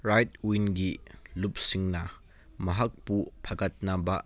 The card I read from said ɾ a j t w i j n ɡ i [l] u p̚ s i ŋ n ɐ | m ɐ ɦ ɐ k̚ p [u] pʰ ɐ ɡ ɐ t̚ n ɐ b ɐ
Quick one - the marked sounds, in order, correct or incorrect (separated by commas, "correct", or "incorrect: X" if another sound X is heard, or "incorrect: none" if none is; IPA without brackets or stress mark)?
correct, correct